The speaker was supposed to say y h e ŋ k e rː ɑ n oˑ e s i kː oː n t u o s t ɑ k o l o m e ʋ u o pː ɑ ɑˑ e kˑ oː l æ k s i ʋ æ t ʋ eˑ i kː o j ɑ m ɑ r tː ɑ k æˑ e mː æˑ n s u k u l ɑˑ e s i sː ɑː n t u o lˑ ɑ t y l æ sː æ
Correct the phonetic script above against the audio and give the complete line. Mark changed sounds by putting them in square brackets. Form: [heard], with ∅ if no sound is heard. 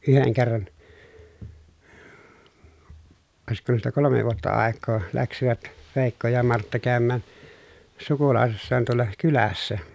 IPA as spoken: y h e ŋ k e rː ɑ n oˑ e s i kː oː n t u o s t ɑ k o l o m e ʋ u o [tː] ɑ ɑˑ e kˑ oː l æ k s i ʋ æ t ʋ eˑ i kː o j ɑ m ɑ r tː ɑ k æˑ [ø] mː æˑ n s u k u l ɑˑ e s i sː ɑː n t u o lˑ ɑ [k] y l æ sː æ